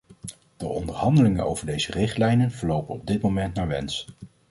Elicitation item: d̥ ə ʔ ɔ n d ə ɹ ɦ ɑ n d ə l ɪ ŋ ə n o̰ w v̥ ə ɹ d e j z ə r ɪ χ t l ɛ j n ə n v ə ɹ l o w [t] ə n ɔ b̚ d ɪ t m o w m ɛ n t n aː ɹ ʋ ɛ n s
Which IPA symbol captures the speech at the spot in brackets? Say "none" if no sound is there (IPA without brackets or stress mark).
p